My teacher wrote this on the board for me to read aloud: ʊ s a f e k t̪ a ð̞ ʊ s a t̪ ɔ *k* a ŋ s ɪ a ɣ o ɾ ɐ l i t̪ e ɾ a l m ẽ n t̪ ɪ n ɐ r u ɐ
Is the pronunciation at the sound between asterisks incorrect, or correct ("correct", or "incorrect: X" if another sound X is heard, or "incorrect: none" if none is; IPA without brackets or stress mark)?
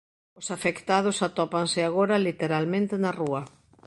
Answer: incorrect: p